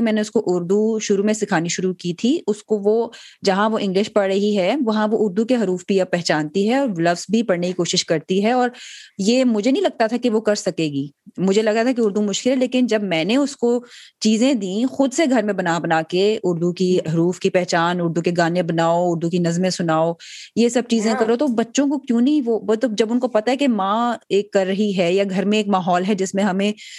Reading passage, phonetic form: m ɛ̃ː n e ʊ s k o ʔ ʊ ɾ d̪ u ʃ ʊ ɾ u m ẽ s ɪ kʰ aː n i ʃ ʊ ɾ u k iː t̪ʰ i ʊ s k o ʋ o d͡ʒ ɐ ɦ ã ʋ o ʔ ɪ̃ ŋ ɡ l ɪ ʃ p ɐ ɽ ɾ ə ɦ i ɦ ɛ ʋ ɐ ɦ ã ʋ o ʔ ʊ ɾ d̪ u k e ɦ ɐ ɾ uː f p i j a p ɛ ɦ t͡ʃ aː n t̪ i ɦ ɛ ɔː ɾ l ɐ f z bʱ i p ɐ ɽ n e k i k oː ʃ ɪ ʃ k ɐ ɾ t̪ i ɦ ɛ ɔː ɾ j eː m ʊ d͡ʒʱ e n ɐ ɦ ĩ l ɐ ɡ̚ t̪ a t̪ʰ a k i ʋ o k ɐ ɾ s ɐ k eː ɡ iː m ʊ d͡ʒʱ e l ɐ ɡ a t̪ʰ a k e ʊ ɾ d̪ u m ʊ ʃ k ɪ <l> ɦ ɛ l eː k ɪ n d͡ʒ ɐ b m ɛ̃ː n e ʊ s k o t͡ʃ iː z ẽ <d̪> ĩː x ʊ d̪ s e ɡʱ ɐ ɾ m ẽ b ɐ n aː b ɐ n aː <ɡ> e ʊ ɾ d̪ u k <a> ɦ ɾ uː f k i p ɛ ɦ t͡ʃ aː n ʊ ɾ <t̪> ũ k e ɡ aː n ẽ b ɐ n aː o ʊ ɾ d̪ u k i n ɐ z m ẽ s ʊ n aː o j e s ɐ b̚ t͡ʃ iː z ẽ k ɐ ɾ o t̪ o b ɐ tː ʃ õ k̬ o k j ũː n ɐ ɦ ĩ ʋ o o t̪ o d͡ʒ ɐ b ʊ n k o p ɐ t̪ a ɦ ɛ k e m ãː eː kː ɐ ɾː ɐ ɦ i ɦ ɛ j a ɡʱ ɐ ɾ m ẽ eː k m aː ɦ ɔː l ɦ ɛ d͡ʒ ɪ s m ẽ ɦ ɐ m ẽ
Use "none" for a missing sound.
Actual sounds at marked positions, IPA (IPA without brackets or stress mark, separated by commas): l, d̪, k, i, d̪